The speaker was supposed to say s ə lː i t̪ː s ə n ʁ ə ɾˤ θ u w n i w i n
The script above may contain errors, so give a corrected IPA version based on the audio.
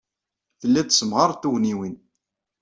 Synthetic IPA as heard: θ ə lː æ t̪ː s ə m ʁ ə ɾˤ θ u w n i w i n